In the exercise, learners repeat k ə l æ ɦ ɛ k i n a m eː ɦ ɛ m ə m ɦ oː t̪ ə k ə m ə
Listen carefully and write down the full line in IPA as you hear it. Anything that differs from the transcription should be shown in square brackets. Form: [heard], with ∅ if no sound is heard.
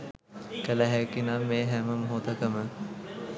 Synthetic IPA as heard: k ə l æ ɦ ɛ k i n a m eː ɦ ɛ m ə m ɦ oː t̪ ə k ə m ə